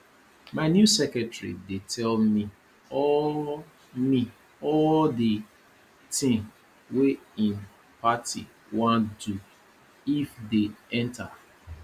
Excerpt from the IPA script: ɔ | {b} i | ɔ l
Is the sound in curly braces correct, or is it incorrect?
incorrect